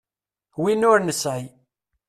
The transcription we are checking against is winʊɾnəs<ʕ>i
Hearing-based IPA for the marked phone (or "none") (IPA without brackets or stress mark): ʕ